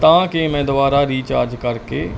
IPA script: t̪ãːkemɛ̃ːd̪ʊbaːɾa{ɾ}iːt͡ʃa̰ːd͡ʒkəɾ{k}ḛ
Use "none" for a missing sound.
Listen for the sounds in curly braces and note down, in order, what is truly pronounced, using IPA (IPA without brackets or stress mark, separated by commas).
ɾ, k